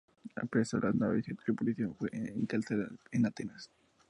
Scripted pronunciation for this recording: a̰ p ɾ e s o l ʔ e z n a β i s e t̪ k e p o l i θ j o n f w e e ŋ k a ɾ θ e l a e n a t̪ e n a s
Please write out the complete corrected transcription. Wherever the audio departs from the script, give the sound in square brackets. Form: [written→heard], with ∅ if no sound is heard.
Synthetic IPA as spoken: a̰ p ɾ e s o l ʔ [e→a] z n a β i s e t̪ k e p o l i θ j o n f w e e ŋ k a [ɾ→l] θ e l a e n a t̪ e n a s